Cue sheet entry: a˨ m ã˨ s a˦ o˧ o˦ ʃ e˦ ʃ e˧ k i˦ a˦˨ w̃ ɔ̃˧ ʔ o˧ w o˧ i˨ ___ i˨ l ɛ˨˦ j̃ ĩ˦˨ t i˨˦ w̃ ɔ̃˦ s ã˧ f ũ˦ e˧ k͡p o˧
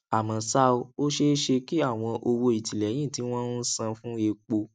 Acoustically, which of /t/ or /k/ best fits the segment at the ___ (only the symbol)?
t